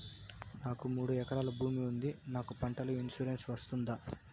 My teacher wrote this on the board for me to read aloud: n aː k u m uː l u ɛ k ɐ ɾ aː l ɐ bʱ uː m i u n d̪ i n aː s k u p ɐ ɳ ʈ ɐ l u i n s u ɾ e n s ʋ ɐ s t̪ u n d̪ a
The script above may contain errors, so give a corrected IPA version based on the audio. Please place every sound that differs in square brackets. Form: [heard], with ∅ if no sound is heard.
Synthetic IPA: n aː k u m uː [ɽ] u ɛ k ɐ ɾ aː l ɐ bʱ uː m i u n d̪ i n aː [∅] k u p ɐ ɳ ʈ ɐ l u i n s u ɾ e n s ʋ ɐ s t̪ u n d̪ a